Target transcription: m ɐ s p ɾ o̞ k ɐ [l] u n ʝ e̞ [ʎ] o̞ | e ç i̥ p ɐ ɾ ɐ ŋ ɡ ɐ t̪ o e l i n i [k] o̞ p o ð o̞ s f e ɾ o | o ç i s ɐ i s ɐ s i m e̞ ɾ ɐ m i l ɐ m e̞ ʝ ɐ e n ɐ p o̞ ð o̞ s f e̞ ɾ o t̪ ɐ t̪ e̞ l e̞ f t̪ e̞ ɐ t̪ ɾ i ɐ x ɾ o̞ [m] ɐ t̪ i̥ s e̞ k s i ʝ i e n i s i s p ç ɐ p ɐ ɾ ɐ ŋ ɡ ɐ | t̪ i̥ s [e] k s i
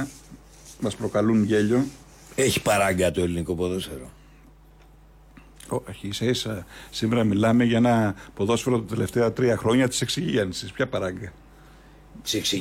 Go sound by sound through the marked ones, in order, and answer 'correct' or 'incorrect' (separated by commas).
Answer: correct, correct, correct, incorrect, correct